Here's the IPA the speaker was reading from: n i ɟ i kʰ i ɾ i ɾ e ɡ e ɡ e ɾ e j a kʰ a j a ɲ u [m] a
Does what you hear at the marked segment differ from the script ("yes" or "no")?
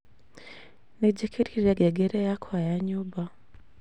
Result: yes